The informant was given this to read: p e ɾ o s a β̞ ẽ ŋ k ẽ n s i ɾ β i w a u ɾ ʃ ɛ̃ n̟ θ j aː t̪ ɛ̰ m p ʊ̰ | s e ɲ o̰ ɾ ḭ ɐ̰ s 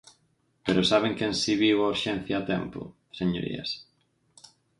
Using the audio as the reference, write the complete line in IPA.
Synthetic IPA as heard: p e ɾ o s a β̞ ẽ ŋ k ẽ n s i β i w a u ɾ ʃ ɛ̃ n̟ θ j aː t̪ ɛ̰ m p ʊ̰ | s e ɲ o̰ ɾ ḭ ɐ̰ s